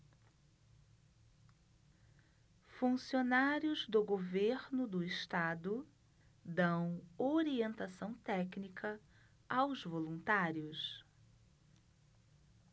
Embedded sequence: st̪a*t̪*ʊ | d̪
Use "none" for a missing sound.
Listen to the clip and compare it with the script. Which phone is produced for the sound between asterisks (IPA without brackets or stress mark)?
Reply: d̪